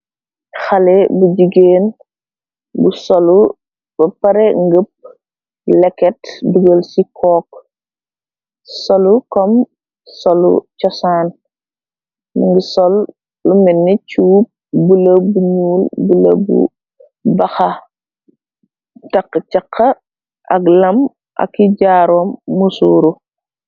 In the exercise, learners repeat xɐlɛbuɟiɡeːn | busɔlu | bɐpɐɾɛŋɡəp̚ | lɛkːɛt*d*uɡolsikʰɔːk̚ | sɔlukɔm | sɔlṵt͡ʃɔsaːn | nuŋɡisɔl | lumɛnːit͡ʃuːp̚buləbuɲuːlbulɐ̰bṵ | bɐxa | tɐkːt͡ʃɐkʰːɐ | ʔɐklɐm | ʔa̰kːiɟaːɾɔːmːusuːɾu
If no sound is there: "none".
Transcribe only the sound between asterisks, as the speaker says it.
d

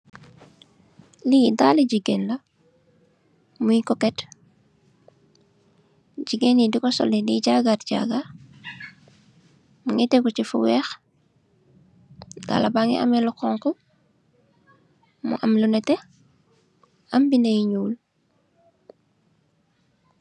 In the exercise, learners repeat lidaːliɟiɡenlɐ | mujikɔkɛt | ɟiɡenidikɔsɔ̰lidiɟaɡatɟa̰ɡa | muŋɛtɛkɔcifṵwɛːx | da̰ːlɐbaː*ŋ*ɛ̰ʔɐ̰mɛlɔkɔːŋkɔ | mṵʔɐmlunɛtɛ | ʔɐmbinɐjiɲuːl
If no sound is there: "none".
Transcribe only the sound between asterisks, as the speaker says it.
ŋ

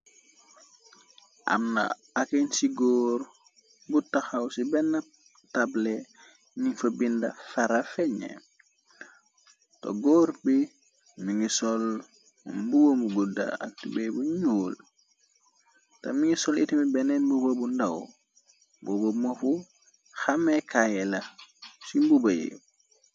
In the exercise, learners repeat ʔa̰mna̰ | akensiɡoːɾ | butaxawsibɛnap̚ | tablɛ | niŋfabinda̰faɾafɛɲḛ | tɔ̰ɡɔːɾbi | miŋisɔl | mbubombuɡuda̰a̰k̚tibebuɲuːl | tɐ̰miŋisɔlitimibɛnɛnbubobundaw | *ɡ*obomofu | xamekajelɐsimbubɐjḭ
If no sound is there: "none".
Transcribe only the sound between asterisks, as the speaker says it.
b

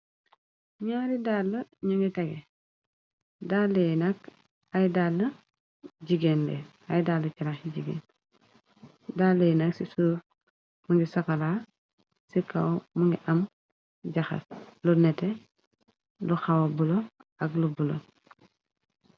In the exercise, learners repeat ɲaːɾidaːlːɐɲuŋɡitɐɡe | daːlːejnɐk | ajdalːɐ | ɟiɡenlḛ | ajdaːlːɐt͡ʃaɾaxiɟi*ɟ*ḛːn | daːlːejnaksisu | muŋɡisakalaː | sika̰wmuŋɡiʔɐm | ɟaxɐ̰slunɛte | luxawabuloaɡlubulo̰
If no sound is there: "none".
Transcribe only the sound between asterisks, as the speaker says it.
ɡ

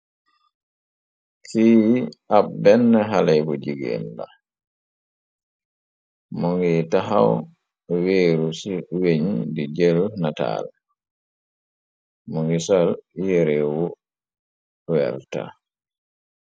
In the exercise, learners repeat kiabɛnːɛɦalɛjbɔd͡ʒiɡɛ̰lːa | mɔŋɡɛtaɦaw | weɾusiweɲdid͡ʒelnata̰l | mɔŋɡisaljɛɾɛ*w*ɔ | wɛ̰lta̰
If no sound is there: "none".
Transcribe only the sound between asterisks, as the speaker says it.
w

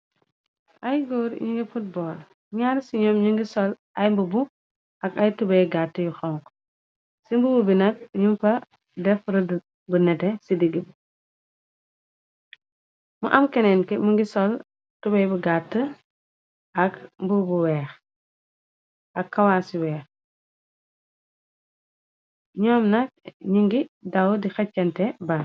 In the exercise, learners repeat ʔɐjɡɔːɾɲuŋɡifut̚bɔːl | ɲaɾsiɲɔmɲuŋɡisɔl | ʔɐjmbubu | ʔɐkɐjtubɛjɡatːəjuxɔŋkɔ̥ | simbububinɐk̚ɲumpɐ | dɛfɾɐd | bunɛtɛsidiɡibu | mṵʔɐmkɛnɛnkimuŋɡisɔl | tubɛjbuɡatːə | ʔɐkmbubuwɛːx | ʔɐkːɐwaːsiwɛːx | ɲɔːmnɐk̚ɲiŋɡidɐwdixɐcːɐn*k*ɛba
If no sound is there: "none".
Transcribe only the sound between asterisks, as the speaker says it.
t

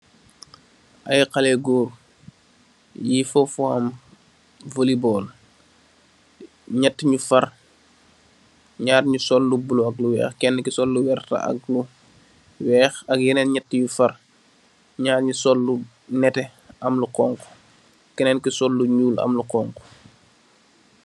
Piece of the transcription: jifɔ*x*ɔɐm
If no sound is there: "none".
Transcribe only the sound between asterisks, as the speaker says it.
f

